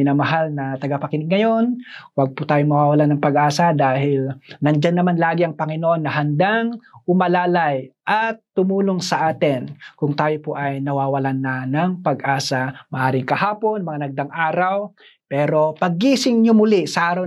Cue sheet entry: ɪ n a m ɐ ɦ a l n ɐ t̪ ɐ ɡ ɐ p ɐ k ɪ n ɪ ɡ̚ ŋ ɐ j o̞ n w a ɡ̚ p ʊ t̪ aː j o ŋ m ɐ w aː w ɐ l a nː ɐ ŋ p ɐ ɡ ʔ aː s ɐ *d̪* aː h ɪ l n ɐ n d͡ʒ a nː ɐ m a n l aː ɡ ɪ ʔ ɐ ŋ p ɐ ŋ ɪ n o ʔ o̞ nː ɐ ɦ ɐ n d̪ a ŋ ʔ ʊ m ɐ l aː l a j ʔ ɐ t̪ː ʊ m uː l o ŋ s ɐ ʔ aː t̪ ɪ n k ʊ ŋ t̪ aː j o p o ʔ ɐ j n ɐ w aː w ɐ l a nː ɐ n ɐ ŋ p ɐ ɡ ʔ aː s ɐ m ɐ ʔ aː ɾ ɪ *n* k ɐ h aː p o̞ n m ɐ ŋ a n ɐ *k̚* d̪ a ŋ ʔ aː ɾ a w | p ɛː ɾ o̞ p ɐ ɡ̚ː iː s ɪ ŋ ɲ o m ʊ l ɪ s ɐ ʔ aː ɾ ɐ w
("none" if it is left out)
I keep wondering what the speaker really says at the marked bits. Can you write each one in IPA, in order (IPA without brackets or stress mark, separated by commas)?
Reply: d̪, ŋ, ɡ̚